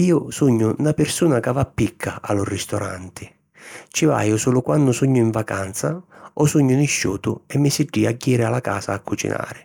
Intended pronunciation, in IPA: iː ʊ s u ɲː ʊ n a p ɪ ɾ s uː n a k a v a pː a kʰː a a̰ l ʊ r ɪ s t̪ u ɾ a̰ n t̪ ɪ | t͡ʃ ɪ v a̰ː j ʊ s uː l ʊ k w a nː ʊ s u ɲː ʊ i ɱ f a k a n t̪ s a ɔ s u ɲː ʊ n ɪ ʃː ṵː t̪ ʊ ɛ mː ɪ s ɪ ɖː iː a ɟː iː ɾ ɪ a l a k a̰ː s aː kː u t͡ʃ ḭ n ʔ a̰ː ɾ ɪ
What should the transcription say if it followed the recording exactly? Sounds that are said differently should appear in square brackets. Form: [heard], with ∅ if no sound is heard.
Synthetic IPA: iː ʊ s u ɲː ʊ n a p ɪ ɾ s uː n a k a v a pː [i] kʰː a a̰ l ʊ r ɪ s t̪ [ɔ] ɾ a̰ n t̪ ɪ | t͡ʃ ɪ v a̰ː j ʊ s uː l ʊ k w a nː ʊ s u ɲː ʊ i ɱ [v] a k a n t̪ s a ɔ s u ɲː ʊ n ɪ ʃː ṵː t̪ ʊ ɛ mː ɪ s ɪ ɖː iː a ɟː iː ɾ ɪ a l a k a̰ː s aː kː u t͡ʃ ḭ n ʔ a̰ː ɾ ɪ